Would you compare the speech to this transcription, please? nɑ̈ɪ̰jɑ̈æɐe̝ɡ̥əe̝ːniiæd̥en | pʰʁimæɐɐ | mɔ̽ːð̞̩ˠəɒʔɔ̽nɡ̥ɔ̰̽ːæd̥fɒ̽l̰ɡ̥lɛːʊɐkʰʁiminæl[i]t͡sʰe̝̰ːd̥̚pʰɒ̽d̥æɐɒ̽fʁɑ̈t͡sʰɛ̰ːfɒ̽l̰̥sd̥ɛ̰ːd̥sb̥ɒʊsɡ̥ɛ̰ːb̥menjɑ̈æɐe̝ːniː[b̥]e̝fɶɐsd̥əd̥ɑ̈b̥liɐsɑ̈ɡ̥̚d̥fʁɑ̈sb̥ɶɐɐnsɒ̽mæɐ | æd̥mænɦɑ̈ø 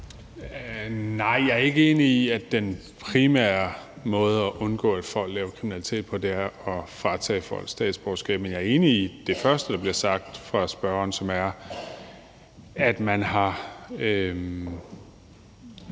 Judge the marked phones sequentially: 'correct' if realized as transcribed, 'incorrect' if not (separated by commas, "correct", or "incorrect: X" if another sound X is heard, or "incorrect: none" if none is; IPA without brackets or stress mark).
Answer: correct, incorrect: d̥